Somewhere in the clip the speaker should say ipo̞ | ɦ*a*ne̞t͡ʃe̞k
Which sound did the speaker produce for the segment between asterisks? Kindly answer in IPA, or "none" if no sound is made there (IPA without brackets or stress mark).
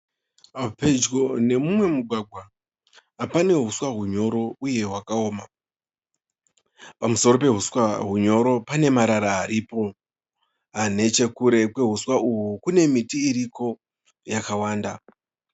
a